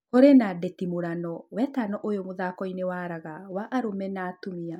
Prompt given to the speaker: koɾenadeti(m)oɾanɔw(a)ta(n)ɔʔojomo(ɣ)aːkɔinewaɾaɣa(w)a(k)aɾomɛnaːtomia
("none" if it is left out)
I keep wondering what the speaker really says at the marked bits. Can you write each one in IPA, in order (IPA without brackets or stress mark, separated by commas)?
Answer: m, ɛ, n, ð, w, ʔ